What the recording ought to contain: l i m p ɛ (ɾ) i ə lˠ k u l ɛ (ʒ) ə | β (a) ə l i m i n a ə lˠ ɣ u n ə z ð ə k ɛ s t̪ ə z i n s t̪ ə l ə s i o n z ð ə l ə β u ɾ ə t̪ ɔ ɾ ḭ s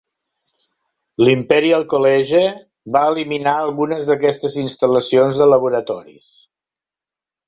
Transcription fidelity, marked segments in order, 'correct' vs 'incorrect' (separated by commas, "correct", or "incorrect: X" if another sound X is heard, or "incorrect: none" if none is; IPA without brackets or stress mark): correct, correct, correct